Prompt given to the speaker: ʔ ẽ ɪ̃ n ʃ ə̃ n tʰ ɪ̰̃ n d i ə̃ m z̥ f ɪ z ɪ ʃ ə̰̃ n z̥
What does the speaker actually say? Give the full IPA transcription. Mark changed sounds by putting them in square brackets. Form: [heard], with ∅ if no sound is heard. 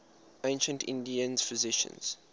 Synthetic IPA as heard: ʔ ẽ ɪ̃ n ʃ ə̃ n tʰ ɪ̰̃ n d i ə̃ [n] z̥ f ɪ z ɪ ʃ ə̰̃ n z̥